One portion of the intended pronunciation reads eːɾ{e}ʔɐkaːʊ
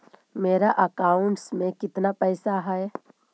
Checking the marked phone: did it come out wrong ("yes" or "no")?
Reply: yes